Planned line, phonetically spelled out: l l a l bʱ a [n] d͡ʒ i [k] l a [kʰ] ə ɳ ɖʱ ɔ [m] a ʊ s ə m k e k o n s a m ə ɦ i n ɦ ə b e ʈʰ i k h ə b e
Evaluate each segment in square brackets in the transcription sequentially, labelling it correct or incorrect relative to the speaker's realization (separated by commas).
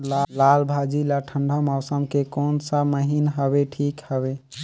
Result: incorrect, incorrect, incorrect, correct